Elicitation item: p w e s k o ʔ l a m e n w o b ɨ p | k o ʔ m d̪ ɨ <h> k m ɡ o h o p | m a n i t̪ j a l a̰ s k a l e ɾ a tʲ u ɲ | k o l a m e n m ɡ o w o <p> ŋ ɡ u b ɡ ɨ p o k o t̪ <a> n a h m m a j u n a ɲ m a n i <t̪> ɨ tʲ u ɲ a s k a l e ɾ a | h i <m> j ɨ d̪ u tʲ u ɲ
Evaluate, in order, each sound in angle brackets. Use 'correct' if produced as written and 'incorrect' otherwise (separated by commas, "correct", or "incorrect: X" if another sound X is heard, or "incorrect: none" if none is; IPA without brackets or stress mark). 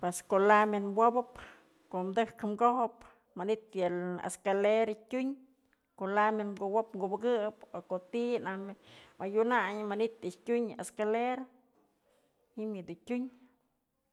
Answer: correct, correct, incorrect: i, correct, correct